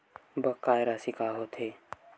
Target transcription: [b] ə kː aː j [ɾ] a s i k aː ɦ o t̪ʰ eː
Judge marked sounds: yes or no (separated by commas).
yes, yes